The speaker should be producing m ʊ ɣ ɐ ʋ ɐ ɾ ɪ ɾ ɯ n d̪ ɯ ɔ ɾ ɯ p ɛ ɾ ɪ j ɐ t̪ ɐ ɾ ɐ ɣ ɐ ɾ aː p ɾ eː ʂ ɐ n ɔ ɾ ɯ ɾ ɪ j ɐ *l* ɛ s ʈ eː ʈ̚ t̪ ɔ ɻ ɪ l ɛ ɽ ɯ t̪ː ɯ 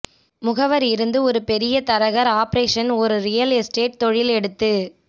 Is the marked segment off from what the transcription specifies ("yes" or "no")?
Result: no